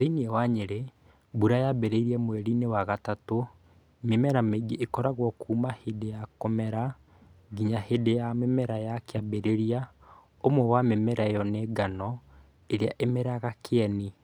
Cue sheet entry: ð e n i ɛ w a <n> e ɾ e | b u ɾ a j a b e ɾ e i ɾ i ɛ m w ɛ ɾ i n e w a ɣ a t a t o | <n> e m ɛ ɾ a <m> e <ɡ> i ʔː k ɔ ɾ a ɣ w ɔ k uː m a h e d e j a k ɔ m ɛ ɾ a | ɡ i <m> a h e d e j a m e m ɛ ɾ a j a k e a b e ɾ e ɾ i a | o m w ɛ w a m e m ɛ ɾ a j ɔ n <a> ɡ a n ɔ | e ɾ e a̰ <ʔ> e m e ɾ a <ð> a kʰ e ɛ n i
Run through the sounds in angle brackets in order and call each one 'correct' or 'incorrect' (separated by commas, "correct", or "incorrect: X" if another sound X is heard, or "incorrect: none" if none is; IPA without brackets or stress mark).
incorrect: ɲ, incorrect: m, correct, correct, incorrect: ɲ, incorrect: e, correct, incorrect: ɣ